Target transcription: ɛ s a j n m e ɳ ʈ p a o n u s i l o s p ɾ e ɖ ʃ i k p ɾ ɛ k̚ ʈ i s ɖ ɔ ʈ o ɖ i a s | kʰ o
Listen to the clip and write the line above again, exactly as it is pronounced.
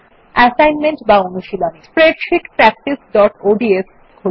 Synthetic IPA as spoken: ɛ s a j n m e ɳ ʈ b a o n u ʃ i l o s p ɾ e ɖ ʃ i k p ɾ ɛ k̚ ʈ i s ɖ ɔ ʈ o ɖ i e s | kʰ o